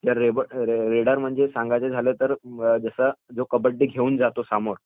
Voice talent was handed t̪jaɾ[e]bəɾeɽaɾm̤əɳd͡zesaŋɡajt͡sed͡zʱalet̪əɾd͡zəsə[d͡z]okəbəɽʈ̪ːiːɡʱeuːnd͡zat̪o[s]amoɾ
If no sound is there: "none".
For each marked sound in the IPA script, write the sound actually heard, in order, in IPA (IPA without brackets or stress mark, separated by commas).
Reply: e, d͡z, s